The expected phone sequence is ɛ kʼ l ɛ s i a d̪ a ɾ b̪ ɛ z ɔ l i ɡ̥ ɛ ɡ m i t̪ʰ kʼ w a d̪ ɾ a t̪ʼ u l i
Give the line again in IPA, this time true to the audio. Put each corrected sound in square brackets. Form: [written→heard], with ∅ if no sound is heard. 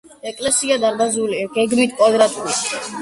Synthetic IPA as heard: ɛ kʼ l ɛ s i a d̪ a ɾ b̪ [ɛ→a] z [ɔ→u] l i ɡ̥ ɛ ɡ m i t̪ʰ kʼ w a d̪ ɾ a t̪ʼ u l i

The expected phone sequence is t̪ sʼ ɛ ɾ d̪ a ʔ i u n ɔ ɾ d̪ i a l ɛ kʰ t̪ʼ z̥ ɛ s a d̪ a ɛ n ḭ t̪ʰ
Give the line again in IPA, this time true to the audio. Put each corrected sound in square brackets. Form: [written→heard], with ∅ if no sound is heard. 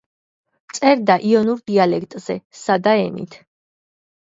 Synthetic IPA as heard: t̪ sʼ ɛ ɾ d̪ a ʔ i [u→ɔ] n [ɔ→u] ɾ d̪ i a l ɛ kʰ t̪ʼ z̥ ɛ s a d̪ a ɛ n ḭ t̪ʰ

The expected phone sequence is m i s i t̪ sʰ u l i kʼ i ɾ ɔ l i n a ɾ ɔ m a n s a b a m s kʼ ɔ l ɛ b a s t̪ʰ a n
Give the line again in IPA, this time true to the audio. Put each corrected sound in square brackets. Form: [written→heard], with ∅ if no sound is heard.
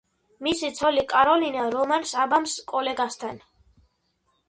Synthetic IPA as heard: m i s i t̪ sʰ [u→ɔ] l i kʼ [i→a] ɾ ɔ l i n a ɾ ɔ m a n s a b a m s kʼ ɔ l ɛ [b→ɡ] a s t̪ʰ a n

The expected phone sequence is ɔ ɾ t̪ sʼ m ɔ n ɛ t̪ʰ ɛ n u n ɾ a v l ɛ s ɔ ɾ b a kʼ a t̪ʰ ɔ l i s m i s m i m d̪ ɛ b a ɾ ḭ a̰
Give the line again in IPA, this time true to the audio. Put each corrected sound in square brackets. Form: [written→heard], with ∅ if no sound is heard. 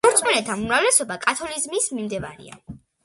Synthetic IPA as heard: ɔ ɾ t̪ sʼ m ɔ n ɛ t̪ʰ [ɛ→a] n u [n→m] ɾ a v l ɛ s ɔ [ɾ→∅] b a kʼ a t̪ʰ ɔ l i [s→z] m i s m i m d̪ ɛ [b→v] a ɾ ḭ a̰

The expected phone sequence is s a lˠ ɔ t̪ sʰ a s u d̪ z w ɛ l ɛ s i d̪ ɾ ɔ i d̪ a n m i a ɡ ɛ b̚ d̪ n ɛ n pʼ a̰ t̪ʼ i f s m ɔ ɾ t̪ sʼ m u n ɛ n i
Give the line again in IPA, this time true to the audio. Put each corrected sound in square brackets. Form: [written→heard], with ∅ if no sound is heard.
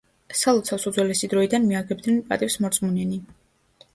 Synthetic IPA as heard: s a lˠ ɔ t̪ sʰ a s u d̪ z w ɛ l ɛ s i d̪ ɾ ɔ i d̪ a n m i a ɡ ɛ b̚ d̪ n ɛ n pʼ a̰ t̪ʼ i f s m ɔ ɾ t̪ sʼ m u n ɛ n i

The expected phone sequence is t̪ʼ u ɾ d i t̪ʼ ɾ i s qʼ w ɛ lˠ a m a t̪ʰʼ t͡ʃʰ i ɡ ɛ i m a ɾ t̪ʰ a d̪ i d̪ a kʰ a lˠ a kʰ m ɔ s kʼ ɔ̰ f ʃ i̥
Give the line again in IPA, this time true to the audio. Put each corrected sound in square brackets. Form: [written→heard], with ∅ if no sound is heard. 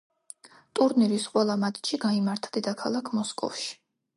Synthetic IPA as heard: t̪ʼ u ɾ [d→n] i [t̪ʼ→∅] ɾ i s qʼ w ɛ lˠ a m a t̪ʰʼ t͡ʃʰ i ɡ [ɛ→a] i m a ɾ t̪ʰ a d̪ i d̪ a kʰ a lˠ a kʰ m ɔ s kʼ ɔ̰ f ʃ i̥

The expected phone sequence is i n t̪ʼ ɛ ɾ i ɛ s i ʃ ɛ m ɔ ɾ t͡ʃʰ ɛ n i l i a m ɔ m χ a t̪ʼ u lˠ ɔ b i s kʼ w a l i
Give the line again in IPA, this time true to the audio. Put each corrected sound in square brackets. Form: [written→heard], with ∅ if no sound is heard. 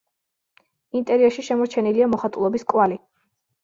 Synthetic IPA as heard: i n t̪ʼ ɛ ɾ i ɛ [s→ʃ] i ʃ ɛ m ɔ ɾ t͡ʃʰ ɛ n i l i a m ɔ [m→∅] χ a t̪ʼ u lˠ ɔ b i s kʼ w a l i

